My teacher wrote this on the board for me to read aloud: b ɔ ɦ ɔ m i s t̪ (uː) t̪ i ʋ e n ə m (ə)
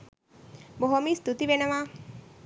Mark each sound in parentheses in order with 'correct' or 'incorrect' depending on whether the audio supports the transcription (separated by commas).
incorrect, incorrect